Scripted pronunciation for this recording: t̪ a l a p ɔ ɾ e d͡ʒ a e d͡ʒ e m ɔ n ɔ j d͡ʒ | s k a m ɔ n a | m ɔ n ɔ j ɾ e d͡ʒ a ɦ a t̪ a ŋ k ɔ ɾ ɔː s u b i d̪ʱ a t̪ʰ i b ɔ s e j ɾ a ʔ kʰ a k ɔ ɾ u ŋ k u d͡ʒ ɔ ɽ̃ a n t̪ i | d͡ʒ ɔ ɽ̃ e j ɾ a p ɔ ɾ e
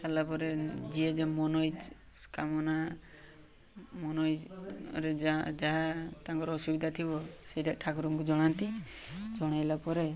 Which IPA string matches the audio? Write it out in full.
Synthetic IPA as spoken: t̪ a l a p ɔ ɾ e d͡ʒ i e d͡ʒ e m ɔ n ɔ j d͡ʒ | s k a m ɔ n a | m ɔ n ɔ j ɾ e d͡ʒ a ɦ a t̪ a ŋ k ɔ ɾ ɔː s u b i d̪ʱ a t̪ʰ i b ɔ s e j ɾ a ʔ ʈʰ a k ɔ ɾ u ŋ k u d͡ʒ ɔ ɽ̃ a n t̪ i | d͡ʒ ɔ ɽ̃ a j l a p ɔ ɾ e

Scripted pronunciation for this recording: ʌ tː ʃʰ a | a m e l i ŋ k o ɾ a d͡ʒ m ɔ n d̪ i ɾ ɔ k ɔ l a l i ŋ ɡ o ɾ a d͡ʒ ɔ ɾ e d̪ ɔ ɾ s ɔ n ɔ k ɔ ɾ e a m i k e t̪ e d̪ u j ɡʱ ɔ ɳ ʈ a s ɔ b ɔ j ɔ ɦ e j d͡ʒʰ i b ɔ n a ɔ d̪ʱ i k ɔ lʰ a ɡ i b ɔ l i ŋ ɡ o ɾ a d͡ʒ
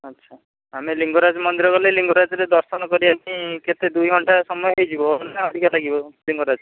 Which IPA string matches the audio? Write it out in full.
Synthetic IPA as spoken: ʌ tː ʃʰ a | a m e l i ŋ ɡ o ɾ a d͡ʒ m ɔ n d̪ i ɾ ɔ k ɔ l e l i ŋ ɡ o ɾ a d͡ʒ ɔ ɾ e d̪ ɔ ɾ s ɔ n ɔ k ɔ ɾ i a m i k e t̪ e d̪ u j ɡʱ ɔ ɳ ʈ a s ɔ m ɔ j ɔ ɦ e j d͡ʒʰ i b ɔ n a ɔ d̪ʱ i k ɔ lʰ a ɡ i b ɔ l i ŋ ɡ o ɾ a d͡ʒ

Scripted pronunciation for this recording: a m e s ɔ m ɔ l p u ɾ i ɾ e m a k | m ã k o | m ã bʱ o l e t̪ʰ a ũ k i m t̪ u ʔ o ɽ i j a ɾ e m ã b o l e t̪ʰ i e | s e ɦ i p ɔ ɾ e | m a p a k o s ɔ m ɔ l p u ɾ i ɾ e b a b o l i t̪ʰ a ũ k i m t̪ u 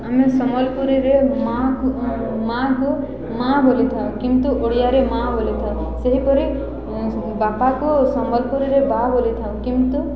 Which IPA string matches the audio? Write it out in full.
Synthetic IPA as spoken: a m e s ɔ m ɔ l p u ɾ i ɾ e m a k | m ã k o | m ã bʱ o l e t̪ʰ a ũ k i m t̪ u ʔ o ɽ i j a ɾ e m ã b o l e t̪ʰ a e | s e ɦ i p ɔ ɾ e | b a p a k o s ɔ m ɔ l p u ɾ i ɾ e b a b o l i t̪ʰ a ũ k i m t̪ u

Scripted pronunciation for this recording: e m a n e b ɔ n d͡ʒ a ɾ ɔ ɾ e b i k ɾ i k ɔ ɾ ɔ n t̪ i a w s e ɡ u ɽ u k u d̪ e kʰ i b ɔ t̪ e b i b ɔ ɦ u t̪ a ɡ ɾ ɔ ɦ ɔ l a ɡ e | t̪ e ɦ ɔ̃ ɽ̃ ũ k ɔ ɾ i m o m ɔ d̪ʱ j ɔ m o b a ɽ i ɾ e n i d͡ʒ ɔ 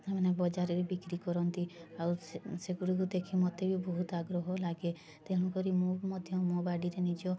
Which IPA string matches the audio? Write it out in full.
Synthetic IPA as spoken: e m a n e b ɔ d͡ʒ a ɾ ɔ ɾ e b i k ɾ i k ɔ ɾ ɔ n t̪ i a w s e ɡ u ɽ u k u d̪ e kʰ i m ɔ t̪ e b i b ɔ ɦ u t̪ a ɡ ɾ ɔ ɦ ɔ l a ɡ e | t̪ e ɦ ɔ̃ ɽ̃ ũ k ɔ ɾ i m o m ɔ d̪ʱ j ɔ m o b a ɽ i ɾ e n i d͡ʒ ɔ

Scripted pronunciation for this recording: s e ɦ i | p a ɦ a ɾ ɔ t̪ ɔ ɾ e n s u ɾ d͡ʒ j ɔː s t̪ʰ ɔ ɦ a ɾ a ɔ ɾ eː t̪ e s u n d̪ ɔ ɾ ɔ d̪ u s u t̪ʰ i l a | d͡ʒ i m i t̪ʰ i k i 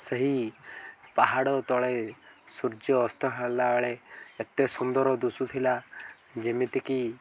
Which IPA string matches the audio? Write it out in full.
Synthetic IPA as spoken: s e ɦ i | p a ɦ a ɽ ɔ t̪ ɔ ɭ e s u ɾ d͡ʒ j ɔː s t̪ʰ ɔ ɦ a l a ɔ ɭ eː t̪ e s u n d̪ ɔ ɾ ɔ d̪ u s u t̪ʰ i l a | d͡ʒ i m i t̪ i k i

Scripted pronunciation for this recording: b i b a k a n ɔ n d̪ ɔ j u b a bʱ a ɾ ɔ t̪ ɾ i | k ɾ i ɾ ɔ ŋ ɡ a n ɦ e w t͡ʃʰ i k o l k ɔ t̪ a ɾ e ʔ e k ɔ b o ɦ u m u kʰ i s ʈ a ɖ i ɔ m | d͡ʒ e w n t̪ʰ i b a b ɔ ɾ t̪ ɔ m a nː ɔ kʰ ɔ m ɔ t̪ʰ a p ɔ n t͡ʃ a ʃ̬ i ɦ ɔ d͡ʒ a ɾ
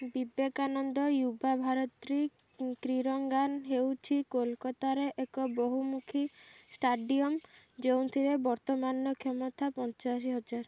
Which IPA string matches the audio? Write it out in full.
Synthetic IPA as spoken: b i b e k a n ɔ n d̪ ɔ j u b a bʱ a ɾ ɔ t̪ ɾ i | k ɾ i ɾ ɔ ŋ ɡ a n ɦ e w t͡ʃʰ i k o l k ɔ t̪ a ɾ e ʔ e k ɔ b o ɦ u m u kʰ i s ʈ a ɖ i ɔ m | d͡ʒ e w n t̪ʰ i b e b ɔ ɾ t̪ ɔ m a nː ɔ kʰ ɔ m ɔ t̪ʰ a p ɔ n t͡ʃ a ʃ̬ i ɦ ɔ d͡ʒ a ɾ

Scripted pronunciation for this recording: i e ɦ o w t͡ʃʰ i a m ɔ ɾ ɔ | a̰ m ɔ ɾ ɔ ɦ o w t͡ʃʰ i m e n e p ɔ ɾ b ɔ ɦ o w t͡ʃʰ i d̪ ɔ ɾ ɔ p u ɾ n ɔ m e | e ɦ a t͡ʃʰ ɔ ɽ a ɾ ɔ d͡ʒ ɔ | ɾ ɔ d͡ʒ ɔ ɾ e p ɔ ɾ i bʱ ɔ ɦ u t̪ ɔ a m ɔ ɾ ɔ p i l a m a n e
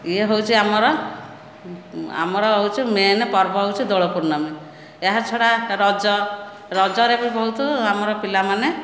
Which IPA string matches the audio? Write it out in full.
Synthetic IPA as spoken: i e ɦ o w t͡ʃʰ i a m ɔ ɾ ɔ | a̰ m ɔ ɾ ɔ ɦ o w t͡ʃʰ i m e n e p ɔ ɾ b ɔ ɦ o w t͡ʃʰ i d̪ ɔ ɭ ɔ p u ɾ n ɔ m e | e ɦ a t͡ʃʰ ɔ ɽ a ɾ ɔ d͡ʒ ɔ | ɾ ɔ d͡ʒ ɔ ɾ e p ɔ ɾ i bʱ ɔ ɦ u t̪ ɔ a m ɔ ɾ ɔ p i l a m a n e

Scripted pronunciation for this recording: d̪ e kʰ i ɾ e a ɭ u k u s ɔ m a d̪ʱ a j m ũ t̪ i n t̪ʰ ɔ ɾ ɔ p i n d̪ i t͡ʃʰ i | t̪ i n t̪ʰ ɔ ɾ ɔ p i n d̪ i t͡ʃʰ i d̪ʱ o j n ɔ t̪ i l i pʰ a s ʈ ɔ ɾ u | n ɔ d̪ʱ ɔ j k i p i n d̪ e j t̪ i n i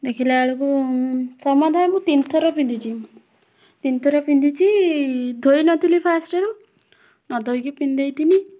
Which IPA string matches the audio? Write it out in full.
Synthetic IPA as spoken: d̪ e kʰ i l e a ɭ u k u s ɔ m a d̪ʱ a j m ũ t̪ i n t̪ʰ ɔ ɾ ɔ p i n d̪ i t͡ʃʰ i | t̪ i n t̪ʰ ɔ ɾ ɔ p i n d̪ i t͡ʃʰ i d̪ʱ o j n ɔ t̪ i l i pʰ a s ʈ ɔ ɾ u | n ɔ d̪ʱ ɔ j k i p i n d̪ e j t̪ i n i

